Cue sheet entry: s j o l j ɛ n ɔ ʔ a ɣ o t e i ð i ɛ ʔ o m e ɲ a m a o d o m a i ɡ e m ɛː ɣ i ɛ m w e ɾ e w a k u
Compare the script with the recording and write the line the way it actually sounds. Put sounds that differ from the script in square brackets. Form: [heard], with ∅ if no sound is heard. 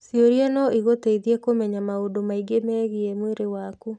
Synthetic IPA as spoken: s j o [ɾ] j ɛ n ɔ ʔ [i] ɣ o t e i ð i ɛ [k] o m [ɛ] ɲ a m a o d o m a i ɡ e m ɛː ɣ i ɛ m w e ɾ e w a k u